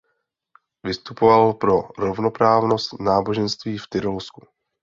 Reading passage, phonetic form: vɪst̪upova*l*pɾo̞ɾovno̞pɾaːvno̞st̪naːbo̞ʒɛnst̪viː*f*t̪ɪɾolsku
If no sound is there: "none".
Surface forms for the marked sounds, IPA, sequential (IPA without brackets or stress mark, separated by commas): l, f